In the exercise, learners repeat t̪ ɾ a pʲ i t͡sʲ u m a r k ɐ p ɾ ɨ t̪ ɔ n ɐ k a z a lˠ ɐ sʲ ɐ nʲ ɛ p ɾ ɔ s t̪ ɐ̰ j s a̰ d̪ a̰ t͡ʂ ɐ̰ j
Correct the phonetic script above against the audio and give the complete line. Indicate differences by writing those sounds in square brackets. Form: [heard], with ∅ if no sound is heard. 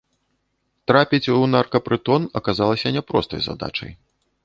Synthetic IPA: t̪ ɾ a pʲ i t͡sʲ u [n] a r k ɐ p ɾ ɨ t̪ ɔ n ɐ k a z a lˠ ɐ sʲ ɐ nʲ ɛ p ɾ ɔ s t̪ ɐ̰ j [z] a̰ d̪ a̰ t͡ʂ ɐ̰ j